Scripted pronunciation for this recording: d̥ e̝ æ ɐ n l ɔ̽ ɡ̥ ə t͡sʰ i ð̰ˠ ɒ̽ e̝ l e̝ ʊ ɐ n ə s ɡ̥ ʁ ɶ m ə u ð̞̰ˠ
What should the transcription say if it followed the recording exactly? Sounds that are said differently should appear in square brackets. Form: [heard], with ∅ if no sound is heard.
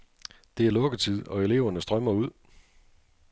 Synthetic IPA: d̥ e̝ æ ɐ [∅] l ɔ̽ ɡ̥ ə t͡sʰ i ð̰ˠ ɒ̽ e̝ l e̝ ʊ ɐ n ə s [d̥] ʁ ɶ m [ɐ] u ð̞̰ˠ